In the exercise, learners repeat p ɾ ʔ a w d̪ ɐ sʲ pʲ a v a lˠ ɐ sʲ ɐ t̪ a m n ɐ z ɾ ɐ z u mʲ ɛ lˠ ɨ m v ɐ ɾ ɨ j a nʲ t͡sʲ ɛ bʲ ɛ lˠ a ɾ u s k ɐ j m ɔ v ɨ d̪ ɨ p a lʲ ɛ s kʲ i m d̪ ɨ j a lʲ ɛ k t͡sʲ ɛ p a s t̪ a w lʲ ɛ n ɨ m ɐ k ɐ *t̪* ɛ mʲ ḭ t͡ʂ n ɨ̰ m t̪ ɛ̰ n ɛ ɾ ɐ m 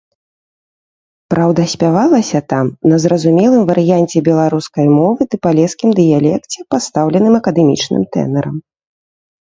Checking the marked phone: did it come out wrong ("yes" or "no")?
yes